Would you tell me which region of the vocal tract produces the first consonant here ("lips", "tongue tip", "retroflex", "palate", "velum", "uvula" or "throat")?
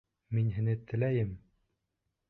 lips